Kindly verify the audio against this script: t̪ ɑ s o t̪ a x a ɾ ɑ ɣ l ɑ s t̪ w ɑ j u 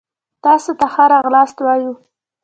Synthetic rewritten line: t̪ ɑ s o t̪ a x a ɾ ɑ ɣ l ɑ s t̪ w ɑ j u